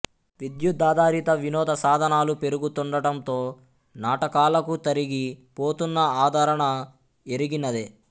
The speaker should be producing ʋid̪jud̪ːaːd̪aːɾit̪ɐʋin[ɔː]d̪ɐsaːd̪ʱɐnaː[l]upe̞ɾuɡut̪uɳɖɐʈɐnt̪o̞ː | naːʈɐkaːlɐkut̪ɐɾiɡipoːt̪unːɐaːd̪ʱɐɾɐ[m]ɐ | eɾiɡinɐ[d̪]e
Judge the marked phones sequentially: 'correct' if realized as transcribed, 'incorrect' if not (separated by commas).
correct, correct, incorrect, correct